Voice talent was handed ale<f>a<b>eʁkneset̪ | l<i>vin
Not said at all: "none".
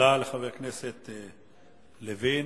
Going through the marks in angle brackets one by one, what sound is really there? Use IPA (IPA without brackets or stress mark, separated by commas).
χ, v, e